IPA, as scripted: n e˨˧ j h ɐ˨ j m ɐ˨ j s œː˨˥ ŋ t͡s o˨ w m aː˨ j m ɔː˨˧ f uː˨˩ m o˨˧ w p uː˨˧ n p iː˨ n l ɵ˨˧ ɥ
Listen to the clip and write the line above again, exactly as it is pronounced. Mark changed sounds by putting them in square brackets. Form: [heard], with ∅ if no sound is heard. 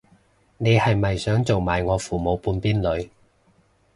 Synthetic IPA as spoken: n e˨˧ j h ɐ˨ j m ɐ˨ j s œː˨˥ ŋ t͡s o˨ w m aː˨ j [ŋ] ɔː˨˧ f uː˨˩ m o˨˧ w p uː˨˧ n p [iː˥] n l ɵ˨˧ ɥ